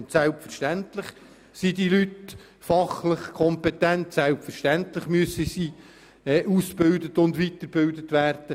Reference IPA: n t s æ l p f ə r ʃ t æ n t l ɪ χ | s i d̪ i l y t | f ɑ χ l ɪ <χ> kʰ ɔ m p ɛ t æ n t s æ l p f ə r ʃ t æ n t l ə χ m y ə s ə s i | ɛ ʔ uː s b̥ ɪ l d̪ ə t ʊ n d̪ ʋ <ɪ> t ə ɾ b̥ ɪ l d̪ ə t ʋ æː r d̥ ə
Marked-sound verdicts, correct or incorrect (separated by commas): correct, incorrect